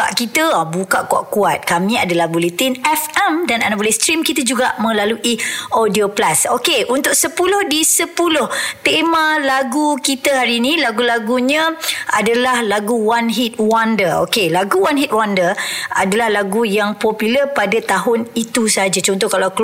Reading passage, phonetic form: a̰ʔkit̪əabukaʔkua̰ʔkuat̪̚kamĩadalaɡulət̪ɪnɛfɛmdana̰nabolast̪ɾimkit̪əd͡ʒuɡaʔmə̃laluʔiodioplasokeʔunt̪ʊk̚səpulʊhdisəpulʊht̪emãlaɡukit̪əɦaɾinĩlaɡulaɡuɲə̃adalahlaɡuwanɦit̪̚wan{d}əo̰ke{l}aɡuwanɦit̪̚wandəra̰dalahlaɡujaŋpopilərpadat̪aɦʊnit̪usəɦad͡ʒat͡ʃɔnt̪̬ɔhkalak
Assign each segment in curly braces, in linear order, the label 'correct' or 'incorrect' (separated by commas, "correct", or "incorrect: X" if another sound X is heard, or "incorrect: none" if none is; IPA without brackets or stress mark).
correct, correct